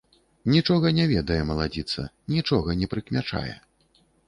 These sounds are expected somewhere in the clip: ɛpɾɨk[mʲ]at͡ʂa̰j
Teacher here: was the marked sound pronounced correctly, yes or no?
yes